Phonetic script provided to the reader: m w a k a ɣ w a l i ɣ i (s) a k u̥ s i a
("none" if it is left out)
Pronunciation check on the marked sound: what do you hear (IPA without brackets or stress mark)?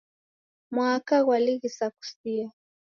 s